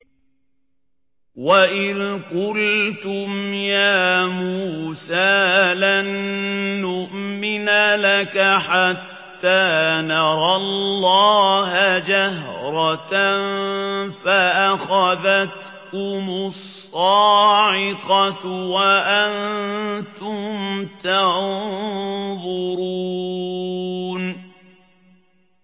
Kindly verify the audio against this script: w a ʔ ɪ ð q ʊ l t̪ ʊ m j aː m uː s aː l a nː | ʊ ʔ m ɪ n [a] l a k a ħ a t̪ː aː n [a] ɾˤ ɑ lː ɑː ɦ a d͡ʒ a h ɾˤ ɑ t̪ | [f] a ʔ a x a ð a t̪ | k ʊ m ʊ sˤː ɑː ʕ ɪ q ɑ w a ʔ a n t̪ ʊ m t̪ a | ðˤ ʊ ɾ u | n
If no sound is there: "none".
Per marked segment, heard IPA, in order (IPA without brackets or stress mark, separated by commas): a, ɑ, f